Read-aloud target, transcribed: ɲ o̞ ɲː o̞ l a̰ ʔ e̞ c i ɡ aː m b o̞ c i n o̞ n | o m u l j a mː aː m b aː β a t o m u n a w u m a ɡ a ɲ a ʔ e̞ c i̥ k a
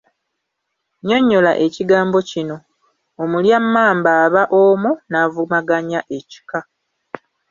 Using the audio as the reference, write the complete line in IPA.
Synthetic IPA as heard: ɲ o̞ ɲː o̞ l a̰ ʔ e̞ c i ɡ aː m b o̞ c i n o̞ | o m u l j a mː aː m b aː β a ʔ o m u n a v u m a ɡ a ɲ a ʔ e̞ c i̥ k a